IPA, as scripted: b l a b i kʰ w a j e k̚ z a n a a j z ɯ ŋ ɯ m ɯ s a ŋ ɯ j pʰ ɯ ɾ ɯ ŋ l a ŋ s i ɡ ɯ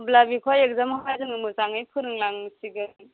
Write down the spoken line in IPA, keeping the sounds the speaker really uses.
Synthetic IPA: b l a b i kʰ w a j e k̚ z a m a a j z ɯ ŋ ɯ m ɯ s a ŋ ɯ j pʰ ɯ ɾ ɯ ŋ l a ŋ s i ɡ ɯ

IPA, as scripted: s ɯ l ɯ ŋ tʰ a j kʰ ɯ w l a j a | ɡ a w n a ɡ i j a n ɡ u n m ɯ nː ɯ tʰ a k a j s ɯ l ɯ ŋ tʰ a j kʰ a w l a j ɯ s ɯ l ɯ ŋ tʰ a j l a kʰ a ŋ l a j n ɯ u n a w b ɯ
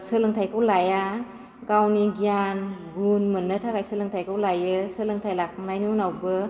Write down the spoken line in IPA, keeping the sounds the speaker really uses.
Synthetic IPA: s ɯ l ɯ ŋ tʰ a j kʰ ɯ w l a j a | ɡ a w n i ɡ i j a n ɡ u n m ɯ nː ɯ tʰ a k a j s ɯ l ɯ ŋ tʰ a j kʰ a w l a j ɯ s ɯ l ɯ ŋ tʰ a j l a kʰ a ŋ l a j n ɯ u n a w b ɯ

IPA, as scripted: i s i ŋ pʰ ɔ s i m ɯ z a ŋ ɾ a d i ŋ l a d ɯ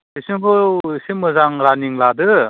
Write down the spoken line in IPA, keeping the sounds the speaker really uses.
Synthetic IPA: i s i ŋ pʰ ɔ s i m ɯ z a ŋ ɾ a n i ŋ l a d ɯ

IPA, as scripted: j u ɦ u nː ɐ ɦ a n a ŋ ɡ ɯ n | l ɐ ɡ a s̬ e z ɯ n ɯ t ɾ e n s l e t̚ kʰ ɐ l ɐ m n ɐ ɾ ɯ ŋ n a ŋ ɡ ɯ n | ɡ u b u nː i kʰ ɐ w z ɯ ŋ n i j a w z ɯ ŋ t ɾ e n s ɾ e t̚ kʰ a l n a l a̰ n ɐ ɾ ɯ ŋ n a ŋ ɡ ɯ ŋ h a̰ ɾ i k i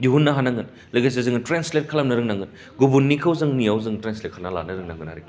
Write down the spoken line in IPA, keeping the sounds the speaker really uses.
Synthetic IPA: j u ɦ u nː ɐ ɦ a n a ŋ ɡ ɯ n | l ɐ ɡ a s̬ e z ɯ ŋ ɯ t ɾ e n s l e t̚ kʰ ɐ l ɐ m n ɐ ɾ ɯ ŋ n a ŋ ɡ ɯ n | ɡ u b u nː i kʰ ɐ w z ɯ ŋ n i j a w z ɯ ŋ t ɾ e n s l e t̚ kʰ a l n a l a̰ n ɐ ɾ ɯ ŋ n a ŋ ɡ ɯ n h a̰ ɾ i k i

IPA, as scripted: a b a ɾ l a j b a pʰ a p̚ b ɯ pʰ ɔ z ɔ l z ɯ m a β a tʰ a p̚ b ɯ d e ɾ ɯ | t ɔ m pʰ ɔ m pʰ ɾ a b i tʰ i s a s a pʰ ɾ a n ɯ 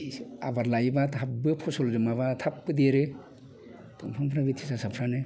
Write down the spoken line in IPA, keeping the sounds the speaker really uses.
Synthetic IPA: a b a ɾ l a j b a tʰ a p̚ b ɯ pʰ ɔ s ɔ l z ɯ m a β a tʰ a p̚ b ɯ d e ɾ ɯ | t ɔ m pʰ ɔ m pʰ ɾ a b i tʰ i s a s a pʰ ɾ a n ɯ

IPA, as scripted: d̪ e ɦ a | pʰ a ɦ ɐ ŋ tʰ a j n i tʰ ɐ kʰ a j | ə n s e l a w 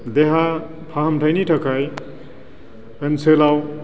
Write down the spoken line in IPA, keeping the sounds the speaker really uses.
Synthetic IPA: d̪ e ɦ a | pʰ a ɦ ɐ m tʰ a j n i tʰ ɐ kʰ a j | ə n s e l a w

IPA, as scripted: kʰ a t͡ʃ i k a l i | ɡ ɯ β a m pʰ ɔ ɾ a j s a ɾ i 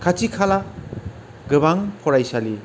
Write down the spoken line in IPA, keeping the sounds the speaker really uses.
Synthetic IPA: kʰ a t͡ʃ i kʰ a l a | ɡ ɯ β a ŋ pʰ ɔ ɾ a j s a l i

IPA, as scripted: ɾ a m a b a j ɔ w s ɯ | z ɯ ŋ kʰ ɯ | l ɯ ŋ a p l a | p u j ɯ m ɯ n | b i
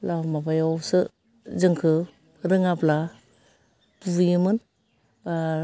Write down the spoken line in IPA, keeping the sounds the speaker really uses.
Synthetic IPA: l a m a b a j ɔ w s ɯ | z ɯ ŋ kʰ ɯ | ɾ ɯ ŋ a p l a | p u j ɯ m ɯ n | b a

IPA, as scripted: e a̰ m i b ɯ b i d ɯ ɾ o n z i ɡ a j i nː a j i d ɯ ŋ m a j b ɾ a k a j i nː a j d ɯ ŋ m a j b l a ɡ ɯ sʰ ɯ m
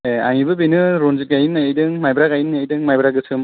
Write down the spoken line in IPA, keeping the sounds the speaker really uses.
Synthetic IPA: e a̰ ŋ i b ɯ b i n ɯ ɾ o n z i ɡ a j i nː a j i d ɯ ŋ m a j b ɾ a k a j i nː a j d ɯ ŋ m a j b ɾ a ɡ ɯ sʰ ɯ m

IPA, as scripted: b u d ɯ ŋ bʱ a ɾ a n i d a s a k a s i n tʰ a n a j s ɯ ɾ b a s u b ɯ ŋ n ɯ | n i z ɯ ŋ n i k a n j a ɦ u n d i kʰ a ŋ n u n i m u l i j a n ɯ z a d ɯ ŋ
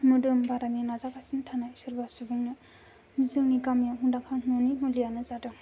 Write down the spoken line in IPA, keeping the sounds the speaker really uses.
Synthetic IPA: m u d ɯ m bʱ a ɾ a n i n a z a k a s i n tʰ a n a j s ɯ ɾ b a s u b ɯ ŋ n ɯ | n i z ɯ ŋ n i k a m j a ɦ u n d a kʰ a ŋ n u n i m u l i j a n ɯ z a d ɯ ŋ

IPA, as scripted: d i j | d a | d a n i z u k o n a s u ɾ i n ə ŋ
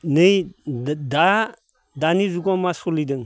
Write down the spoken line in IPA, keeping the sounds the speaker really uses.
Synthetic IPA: n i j | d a | d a n i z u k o m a s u l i d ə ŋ

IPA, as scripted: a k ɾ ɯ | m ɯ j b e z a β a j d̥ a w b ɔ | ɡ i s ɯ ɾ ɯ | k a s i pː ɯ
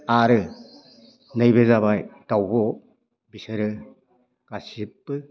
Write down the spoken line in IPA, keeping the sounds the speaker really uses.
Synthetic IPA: a ɾ ɯ | n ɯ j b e z a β a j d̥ a w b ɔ | b i s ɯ ɾ ɯ | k a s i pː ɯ

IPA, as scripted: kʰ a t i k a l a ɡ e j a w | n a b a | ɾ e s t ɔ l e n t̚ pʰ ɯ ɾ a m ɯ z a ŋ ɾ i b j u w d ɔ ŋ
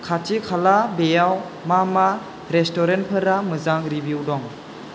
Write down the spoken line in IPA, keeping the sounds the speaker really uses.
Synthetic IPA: kʰ a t i kʰ a l a b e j a w | m a m a | ɾ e s t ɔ ɾ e n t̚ pʰ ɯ ɾ a m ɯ z a ŋ ɾ i b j u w d ɔ ŋ

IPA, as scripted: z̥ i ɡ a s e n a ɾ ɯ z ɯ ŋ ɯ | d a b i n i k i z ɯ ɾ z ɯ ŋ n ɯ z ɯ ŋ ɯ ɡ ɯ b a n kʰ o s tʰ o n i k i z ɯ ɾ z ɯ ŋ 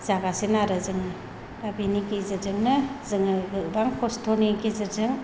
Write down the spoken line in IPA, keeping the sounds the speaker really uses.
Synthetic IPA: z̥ a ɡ a s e n a ɾ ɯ z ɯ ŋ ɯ | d a b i n i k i z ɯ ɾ z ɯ ŋ n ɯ z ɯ ŋ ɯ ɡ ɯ b a ŋ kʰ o s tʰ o n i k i z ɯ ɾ z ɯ ŋ

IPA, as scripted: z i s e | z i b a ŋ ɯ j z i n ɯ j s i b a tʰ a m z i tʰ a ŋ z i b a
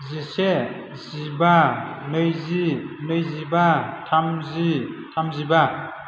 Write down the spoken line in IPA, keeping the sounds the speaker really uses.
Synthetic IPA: z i s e | z i b a n ɯ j z i n ɯ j z i b a tʰ a m z i tʰ a m z i b a

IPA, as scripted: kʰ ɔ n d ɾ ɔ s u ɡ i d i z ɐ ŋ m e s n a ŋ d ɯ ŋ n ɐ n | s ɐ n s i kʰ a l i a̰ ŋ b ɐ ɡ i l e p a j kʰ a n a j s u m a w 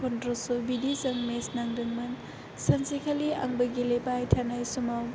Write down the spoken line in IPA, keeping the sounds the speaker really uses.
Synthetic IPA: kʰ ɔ n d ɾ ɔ s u b i d i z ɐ ŋ m e s n a ŋ d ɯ ŋ m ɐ n | s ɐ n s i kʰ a l i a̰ ŋ b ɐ ɡ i l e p a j tʰ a n a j s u m a w

